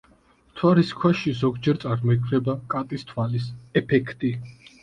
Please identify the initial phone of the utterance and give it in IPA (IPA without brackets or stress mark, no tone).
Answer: t̪ʰ